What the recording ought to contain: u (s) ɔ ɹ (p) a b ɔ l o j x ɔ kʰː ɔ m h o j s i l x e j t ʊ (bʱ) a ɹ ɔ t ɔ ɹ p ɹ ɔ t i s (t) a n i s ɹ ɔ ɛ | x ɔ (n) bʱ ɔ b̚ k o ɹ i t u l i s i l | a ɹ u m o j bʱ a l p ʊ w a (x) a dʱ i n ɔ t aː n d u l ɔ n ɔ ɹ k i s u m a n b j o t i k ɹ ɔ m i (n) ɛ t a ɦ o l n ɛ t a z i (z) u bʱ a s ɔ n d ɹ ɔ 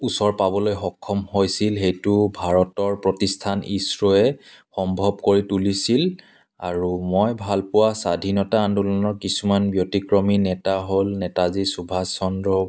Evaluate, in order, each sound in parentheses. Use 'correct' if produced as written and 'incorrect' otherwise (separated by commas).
correct, correct, correct, incorrect, incorrect, incorrect, correct, incorrect